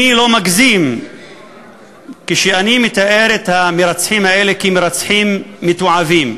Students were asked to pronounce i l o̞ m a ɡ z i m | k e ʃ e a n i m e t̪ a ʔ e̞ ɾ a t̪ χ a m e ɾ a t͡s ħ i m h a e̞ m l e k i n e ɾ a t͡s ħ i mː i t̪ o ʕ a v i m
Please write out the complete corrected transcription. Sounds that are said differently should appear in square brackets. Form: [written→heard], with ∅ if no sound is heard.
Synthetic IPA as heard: i l o̞ m a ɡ z i m | k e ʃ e a n i m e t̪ a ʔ e̞ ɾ [a→e] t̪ [χ→h] a m e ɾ a t͡s ħ i m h a e̞ [m→∅] l e k i [n→m] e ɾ a t͡s ħ i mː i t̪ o ʕ a v i m